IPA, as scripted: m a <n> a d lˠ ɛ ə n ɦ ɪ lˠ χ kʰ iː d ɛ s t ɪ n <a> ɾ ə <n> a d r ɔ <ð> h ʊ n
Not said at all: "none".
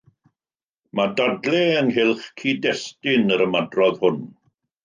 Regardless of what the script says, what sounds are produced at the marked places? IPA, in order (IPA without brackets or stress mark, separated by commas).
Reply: d, ə, m, ð